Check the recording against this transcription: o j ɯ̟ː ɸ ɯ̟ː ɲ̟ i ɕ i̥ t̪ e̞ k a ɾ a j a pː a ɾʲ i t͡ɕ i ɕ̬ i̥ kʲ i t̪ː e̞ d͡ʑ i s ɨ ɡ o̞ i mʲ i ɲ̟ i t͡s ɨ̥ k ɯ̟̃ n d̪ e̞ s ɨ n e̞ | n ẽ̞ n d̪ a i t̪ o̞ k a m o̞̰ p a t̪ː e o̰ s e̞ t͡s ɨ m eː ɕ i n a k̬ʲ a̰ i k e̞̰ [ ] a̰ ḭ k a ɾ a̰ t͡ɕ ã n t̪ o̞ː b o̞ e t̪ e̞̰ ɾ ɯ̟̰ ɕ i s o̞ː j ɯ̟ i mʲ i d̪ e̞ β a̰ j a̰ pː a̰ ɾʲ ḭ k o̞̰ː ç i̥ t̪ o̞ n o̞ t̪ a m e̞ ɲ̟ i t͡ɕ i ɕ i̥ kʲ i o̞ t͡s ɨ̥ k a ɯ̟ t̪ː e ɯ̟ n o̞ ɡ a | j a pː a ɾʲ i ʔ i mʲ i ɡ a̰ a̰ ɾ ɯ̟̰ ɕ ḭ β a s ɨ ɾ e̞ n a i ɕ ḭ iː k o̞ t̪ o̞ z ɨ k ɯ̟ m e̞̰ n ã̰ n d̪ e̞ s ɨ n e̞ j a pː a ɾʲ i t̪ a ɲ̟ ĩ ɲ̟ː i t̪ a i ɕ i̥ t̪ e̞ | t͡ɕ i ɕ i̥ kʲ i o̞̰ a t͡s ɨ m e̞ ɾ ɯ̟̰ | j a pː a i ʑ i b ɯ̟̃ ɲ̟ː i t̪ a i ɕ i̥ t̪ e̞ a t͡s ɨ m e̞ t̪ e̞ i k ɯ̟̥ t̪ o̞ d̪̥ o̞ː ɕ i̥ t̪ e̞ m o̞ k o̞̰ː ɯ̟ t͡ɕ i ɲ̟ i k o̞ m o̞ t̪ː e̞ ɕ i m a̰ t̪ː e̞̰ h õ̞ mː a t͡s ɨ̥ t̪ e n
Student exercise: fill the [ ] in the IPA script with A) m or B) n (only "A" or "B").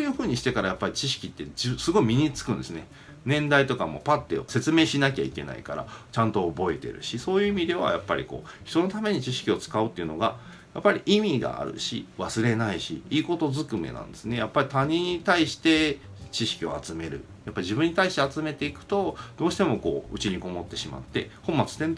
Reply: B